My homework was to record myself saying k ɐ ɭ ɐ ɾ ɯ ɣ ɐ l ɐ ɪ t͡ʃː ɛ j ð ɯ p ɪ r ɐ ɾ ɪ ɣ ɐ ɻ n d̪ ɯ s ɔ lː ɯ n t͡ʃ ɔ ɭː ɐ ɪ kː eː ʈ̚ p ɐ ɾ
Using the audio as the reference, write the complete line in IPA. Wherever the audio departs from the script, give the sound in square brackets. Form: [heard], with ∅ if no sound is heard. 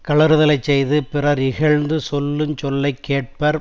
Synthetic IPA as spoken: k ɐ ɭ ɐ ɾ ɯ [ð] ɐ l ɐ ɪ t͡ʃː ɛ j ð ɯ p ɪ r ɐ ɾ ɪ ɣ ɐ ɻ n d̪ ɯ s ɔ lː ɯ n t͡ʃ ɔ [lː] ɐ ɪ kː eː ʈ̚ p ɐ ɾ